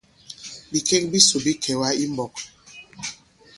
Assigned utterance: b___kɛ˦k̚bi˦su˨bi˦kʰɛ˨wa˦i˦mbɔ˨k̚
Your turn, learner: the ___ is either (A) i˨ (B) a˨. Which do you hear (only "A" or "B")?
A